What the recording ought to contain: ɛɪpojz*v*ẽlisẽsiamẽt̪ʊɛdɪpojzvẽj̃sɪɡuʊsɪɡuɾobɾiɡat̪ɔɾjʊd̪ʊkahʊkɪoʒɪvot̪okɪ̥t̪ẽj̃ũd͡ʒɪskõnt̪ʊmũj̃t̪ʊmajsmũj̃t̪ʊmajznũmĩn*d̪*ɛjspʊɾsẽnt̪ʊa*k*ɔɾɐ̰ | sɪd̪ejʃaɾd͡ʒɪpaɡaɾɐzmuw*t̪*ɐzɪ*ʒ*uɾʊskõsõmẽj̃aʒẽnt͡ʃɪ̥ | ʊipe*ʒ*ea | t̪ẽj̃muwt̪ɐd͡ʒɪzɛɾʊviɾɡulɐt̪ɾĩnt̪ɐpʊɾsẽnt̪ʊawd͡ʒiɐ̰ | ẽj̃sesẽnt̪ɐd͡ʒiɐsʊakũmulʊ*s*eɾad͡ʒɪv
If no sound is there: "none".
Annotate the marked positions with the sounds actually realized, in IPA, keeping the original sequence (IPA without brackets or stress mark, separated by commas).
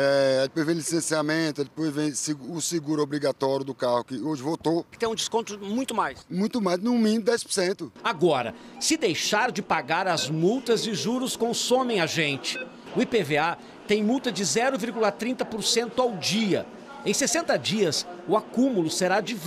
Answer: v, d̪, ɡ, t̪, ʒ, v, s